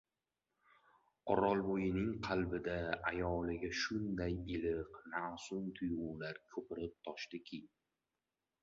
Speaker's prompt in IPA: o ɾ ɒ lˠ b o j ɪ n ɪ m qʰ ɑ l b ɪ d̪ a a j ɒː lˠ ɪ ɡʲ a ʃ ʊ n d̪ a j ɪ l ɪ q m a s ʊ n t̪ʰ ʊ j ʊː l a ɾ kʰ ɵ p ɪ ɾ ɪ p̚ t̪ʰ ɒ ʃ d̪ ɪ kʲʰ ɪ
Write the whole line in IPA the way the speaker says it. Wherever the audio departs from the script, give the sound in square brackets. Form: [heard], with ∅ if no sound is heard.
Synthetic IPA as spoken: [ɒ] ɾ ɒ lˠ b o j ɪ n ɪ [ŋ] qʰ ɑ l b ɪ d̪ a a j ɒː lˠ ɪ ɡʲ a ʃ ʊ n d̪ a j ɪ l ɪ q [n] a s ʊ n t̪ʰ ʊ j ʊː l a ɾ kʰ ɵ p ɪ ɾ ɪ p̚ t̪ʰ ɒ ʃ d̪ ɪ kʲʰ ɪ